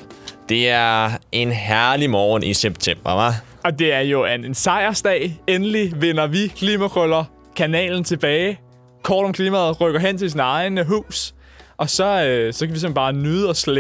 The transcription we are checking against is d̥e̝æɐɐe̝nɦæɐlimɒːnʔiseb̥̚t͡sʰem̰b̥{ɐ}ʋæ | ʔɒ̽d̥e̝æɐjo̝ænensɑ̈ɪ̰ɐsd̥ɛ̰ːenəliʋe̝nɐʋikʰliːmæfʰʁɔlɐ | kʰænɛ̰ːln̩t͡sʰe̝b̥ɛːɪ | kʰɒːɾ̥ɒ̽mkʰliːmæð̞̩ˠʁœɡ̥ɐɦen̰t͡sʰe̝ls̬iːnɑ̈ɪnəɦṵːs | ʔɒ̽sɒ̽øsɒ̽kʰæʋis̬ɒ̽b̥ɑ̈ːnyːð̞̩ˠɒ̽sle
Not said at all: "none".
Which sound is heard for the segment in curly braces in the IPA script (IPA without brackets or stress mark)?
ɐ